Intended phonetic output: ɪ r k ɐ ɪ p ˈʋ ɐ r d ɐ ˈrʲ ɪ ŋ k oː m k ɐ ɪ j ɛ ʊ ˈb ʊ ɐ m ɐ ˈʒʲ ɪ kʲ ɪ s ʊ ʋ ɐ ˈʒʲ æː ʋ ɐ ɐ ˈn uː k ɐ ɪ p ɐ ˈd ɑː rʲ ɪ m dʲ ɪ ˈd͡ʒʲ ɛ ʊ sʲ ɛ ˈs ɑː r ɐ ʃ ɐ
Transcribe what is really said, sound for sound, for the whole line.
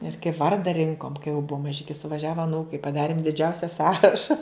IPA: ɪ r k ɐ ɪ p ˈʋ ɐ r d ɐ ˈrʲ ɪ ŋ k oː m k ɐ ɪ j ɛ ʊ ˈb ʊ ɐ m ɐ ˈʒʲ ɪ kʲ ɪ s ʊ ʋ ɐ ˈʒʲ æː ʋ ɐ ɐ ˈn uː k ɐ ɪ p ɐ ˈd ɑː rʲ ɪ m dʲ ɪ ˈd͡ʒʲ ɛ ʊ sʲ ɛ ˈs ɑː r ɐ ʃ ɐ